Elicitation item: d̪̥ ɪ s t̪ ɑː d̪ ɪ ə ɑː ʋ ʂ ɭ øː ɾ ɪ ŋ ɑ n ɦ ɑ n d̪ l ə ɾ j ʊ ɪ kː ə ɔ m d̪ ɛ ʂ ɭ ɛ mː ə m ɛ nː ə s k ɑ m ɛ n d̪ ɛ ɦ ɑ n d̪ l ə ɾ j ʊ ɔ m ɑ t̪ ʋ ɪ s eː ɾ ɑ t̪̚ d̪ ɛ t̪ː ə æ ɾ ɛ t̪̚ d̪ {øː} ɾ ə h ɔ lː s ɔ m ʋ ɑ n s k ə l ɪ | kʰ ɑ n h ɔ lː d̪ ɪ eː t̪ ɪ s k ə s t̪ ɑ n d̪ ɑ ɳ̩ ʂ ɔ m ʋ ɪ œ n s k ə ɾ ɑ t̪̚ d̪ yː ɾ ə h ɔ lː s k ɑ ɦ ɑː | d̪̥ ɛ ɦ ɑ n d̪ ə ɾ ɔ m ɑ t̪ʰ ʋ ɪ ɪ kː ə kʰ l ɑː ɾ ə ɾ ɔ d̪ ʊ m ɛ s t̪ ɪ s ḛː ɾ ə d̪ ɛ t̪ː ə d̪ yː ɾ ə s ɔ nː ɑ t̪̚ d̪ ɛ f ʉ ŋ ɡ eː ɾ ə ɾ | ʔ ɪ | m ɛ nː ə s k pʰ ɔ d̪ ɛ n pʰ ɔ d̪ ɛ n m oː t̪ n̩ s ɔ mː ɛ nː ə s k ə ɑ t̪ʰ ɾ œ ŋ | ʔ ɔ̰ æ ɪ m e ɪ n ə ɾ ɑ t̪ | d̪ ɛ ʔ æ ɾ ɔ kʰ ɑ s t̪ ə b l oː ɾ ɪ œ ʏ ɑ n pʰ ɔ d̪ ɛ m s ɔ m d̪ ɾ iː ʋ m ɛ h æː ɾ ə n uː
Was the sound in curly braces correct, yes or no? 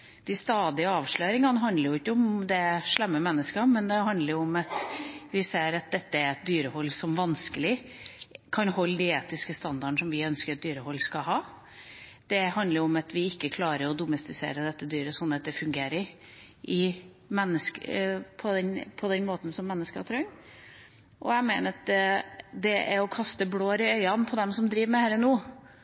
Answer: no